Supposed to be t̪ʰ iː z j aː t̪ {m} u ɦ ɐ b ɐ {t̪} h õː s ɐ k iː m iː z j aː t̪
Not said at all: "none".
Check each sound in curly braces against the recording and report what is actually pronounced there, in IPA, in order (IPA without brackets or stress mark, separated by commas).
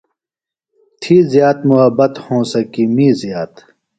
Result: m, t̪